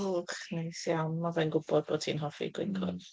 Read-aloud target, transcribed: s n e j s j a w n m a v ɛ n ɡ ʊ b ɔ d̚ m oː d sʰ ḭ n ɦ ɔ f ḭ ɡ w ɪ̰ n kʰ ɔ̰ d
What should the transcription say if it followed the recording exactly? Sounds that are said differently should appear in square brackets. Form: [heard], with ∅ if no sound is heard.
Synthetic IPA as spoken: [χ] n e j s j a w n m a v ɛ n ɡ ʊ b ɔ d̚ [b] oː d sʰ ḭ n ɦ ɔ f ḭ ɡ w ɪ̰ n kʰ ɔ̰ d